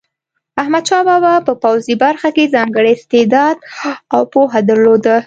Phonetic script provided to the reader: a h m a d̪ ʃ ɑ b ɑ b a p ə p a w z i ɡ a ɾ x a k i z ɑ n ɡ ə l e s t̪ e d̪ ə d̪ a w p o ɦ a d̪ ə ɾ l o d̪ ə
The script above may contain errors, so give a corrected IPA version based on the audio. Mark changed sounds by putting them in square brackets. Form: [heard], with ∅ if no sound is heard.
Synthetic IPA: a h m a d̪ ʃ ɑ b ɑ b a p ə p a w z i [b] a ɾ x a k [e] z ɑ [ŋ] ɡ ə [ɽ] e s t̪ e d̪ [ɑ] d̪ a w p o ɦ a d̪ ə ɾ l o d̪ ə